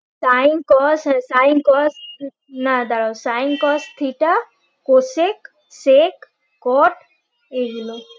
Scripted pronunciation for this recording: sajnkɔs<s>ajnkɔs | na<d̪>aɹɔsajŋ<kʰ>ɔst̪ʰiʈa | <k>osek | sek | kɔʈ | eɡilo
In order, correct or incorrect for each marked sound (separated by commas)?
correct, correct, incorrect, correct